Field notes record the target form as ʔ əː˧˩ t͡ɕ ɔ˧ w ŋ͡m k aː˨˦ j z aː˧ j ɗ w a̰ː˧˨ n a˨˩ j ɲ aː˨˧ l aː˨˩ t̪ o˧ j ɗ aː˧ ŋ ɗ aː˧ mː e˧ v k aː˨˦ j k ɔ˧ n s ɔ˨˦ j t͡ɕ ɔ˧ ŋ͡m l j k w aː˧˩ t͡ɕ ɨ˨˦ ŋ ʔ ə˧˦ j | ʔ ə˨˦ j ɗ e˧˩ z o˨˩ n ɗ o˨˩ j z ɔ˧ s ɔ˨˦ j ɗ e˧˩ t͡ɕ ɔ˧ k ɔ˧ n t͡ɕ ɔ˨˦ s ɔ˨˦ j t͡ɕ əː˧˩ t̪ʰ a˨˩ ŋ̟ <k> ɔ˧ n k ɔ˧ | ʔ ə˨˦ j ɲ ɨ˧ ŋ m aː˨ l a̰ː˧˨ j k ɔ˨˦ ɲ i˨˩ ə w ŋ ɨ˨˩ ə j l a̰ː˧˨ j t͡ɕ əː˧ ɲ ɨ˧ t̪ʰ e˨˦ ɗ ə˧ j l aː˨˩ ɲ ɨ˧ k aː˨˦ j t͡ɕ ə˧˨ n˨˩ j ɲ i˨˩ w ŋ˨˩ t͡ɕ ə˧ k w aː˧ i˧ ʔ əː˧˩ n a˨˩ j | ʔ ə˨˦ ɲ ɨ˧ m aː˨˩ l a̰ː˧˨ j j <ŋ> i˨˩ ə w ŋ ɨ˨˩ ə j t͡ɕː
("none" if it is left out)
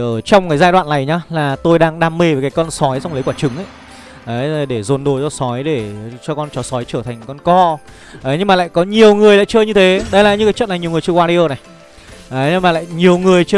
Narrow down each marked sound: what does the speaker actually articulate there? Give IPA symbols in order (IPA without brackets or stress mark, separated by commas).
k, ɲ